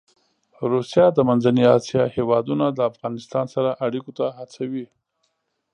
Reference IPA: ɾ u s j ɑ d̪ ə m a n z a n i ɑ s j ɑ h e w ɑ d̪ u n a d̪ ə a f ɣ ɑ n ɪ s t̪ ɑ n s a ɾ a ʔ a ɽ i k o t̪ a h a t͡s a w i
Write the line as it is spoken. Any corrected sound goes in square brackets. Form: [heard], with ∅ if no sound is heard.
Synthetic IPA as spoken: ɾ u s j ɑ d̪ ə m a n z a n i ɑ s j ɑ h e w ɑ d̪ u n a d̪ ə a f ɣ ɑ n ɪ s t̪ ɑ n s a ɾ a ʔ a ɽ i k o t̪ a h a t͡s a w i